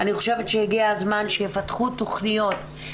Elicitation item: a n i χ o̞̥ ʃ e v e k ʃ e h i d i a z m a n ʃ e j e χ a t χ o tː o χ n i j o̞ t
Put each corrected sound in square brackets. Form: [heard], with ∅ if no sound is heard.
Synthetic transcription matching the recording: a n i χ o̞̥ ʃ e v e [t] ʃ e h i [ɡ] i a z m a n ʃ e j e [f] a t χ [u] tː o χ n i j o̞ t